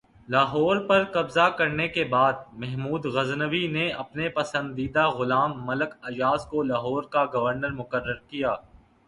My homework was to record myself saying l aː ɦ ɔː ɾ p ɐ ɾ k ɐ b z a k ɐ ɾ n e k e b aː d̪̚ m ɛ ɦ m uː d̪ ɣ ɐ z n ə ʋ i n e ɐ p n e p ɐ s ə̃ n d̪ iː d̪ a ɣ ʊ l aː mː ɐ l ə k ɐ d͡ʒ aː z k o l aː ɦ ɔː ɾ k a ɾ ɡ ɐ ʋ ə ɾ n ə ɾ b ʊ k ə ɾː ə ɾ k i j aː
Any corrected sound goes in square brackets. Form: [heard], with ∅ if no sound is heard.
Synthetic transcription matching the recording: l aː ɦ ɔː ɾ p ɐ ɾ k ɐ b z a k ɐ ɾ n e k e b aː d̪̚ m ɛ ɦ m uː d̪ ɣ ɐ z n ə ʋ i n e ɐ p n e p ɐ s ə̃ n d̪ iː d̪ a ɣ ʊ l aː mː ɐ l ə k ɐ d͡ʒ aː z k o l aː ɦ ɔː ɾ k a [∅] ɡ ɐ ʋ ə ɾ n ə ɾ [m] ʊ k ə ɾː ə ɾ k i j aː